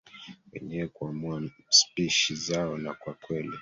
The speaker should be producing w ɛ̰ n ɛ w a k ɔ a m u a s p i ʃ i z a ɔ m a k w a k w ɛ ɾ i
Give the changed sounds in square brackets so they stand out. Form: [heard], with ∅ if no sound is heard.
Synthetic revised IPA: w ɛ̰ [ɲ] ɛ w [ɛ] k [u] a m u a s p i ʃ i z a ɔ [n] a k w a k w ɛ [l] i